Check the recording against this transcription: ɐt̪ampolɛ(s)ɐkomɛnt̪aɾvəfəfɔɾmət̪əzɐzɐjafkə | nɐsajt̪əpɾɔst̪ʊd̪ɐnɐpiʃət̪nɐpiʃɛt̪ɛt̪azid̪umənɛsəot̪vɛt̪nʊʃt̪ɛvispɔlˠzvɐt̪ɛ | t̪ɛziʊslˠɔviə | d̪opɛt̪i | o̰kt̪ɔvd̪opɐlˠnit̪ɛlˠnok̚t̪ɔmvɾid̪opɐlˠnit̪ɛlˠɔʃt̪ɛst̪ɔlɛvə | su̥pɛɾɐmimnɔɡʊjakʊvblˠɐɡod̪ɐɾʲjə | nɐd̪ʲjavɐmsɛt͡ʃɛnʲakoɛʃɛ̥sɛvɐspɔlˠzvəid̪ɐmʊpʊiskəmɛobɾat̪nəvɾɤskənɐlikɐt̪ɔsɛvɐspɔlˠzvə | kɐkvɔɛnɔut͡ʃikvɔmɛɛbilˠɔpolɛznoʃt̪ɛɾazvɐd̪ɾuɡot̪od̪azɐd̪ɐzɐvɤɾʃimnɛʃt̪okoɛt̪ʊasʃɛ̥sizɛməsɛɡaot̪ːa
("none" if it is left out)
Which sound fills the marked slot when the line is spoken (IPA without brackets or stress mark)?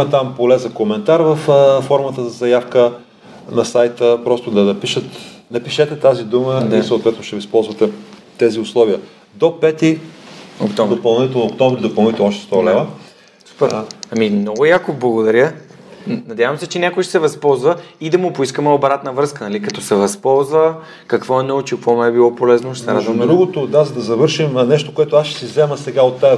z